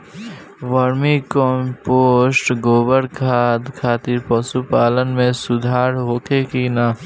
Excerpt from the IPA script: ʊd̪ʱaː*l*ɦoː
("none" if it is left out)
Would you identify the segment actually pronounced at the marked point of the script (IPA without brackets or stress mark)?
ɾ